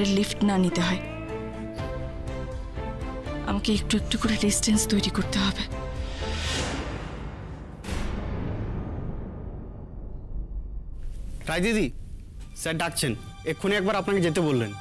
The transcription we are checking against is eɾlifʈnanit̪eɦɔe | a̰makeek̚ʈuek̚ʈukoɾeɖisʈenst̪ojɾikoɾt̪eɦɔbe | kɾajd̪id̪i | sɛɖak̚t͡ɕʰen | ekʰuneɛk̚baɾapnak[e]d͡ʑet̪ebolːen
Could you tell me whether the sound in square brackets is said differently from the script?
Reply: no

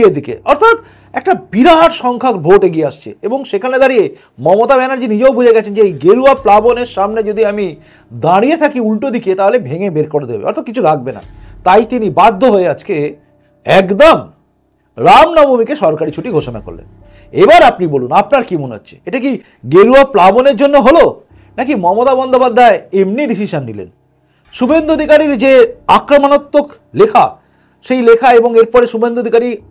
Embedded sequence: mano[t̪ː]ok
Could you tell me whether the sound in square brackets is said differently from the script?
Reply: no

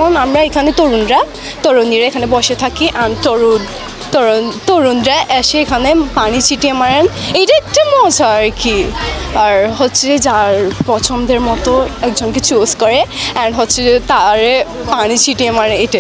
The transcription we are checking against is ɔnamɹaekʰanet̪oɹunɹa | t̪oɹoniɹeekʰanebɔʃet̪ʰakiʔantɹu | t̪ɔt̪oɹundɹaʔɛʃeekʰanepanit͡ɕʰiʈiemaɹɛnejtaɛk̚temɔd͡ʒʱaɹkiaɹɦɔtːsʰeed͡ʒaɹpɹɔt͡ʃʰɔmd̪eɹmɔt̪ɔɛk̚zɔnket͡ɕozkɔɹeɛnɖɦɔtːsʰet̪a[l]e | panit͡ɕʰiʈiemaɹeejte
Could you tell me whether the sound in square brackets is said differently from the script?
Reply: yes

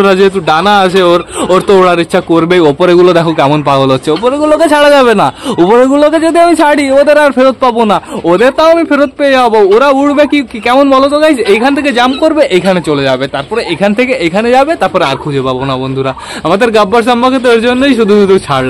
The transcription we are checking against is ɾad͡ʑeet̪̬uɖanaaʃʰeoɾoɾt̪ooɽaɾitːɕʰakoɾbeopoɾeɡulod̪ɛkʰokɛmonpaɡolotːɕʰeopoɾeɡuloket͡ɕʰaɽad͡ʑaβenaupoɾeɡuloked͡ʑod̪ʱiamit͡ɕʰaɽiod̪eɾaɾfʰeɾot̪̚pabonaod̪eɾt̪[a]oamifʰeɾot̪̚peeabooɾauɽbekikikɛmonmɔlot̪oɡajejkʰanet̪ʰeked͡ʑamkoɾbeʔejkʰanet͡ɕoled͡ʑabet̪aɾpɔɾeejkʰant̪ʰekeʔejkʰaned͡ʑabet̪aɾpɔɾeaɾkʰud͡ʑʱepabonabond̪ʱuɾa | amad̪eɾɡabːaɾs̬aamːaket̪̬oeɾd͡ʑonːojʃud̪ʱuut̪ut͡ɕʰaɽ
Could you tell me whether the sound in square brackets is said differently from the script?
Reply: no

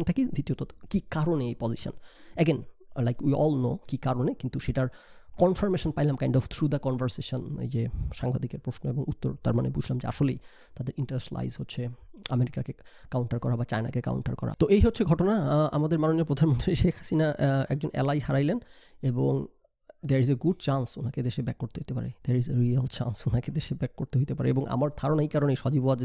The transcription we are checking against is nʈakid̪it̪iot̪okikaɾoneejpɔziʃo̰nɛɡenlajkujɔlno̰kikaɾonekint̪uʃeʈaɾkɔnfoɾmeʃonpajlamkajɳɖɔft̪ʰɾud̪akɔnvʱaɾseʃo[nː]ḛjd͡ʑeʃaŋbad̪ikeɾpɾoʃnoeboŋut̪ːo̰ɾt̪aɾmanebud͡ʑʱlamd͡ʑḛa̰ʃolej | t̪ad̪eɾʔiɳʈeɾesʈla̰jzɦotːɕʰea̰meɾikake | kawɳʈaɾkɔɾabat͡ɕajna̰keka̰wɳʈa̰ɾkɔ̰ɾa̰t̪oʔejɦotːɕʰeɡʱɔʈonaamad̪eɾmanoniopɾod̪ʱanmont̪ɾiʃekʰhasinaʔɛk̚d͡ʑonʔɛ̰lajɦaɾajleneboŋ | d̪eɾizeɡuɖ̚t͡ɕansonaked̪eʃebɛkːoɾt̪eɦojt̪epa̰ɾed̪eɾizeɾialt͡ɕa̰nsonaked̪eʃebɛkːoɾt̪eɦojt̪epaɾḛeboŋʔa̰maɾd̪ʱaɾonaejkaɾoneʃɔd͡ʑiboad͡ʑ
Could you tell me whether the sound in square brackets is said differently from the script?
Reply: yes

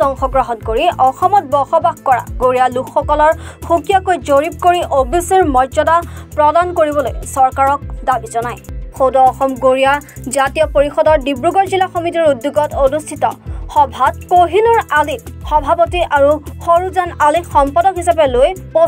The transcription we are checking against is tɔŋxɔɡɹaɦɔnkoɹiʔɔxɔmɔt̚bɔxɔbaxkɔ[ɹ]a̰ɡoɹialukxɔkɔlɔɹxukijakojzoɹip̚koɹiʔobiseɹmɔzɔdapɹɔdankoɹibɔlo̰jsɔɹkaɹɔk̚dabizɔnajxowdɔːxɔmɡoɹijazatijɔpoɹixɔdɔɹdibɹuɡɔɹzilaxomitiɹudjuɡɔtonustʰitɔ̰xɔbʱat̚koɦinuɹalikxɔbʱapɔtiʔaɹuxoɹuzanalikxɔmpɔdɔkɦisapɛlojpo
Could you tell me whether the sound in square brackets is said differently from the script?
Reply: no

